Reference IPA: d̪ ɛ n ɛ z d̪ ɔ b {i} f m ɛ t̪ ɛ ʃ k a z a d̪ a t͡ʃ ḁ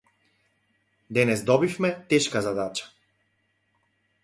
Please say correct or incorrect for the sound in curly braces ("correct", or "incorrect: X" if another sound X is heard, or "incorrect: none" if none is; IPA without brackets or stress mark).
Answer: correct